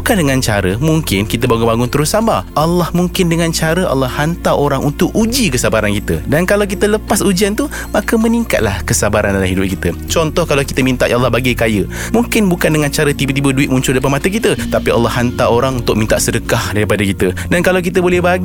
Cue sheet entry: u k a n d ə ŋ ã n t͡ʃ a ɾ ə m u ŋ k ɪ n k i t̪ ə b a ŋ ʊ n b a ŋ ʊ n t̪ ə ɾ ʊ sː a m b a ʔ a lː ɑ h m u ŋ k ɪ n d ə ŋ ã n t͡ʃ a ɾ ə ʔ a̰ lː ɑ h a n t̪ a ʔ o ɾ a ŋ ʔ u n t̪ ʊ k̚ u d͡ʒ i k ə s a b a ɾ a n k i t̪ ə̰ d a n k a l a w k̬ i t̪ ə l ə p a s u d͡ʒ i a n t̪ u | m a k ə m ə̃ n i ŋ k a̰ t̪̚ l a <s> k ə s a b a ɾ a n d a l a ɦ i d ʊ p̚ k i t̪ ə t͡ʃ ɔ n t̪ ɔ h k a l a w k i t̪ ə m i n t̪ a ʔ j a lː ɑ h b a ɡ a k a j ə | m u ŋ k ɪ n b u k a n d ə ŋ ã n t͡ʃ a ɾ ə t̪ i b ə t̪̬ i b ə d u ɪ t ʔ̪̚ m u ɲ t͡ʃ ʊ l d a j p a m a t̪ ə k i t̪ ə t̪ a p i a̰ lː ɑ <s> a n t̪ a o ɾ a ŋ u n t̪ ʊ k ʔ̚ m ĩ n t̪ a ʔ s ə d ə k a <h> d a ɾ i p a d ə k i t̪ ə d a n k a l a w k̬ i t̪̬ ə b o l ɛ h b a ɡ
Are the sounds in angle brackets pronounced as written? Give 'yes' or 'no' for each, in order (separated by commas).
no, no, yes